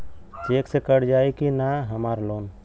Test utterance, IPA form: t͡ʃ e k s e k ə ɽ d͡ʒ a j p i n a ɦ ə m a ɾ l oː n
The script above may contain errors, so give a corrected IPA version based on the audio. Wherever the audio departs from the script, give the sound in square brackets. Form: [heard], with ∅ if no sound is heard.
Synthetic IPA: t͡ʃ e k s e k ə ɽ d͡ʒ a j [k] i n a ɦ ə m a ɾ l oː n